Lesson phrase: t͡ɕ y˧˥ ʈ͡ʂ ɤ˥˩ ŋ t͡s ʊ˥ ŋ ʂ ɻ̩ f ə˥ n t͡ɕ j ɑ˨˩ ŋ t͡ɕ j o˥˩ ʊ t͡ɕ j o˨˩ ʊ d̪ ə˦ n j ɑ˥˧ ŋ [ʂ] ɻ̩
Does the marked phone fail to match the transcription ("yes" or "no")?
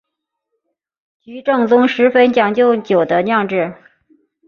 yes